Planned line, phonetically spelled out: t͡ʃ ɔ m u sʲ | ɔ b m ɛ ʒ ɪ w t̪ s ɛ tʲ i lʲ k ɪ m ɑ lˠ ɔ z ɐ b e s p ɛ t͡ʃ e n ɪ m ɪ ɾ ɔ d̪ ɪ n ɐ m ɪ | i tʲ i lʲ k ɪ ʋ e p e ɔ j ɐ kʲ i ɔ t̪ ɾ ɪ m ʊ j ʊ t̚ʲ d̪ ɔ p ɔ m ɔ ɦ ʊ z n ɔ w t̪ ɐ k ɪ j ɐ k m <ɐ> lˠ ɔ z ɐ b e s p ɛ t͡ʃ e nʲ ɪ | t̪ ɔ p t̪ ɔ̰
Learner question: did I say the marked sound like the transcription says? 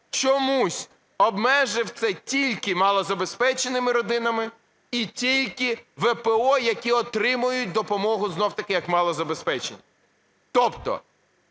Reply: no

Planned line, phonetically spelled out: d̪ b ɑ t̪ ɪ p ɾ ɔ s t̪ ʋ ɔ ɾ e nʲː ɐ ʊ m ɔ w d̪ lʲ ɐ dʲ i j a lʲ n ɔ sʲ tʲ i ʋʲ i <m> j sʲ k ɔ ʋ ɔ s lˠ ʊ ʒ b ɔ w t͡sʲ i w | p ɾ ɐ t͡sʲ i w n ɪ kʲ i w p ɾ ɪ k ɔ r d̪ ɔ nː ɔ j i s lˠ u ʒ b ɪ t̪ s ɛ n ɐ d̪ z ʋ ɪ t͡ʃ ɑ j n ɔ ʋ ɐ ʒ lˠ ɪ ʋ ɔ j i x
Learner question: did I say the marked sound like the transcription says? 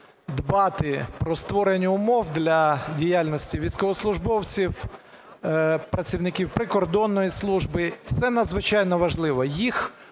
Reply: no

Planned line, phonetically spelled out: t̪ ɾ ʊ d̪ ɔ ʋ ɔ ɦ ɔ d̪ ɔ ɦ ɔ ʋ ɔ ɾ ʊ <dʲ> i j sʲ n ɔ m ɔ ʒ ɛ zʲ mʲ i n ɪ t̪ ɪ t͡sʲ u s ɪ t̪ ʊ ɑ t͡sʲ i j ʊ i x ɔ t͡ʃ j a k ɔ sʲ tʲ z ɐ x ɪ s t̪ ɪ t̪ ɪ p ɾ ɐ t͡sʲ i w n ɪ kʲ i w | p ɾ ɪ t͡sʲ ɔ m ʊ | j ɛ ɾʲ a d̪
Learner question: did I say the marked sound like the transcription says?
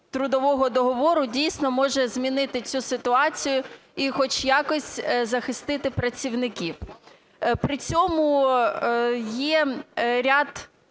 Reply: yes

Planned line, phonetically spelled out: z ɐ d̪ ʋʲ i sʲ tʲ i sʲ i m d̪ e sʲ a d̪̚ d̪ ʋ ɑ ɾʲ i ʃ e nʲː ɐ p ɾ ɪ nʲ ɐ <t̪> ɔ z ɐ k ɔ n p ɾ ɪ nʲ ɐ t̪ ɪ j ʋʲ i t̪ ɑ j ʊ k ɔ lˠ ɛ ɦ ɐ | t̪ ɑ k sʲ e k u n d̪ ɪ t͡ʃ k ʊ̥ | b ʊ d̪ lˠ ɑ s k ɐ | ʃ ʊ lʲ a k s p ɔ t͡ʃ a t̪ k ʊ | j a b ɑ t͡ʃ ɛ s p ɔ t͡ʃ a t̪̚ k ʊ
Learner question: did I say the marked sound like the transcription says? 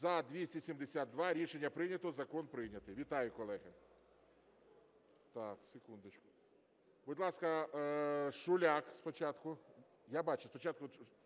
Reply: yes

